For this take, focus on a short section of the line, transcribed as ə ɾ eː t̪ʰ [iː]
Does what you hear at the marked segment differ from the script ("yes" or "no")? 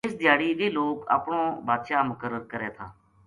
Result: yes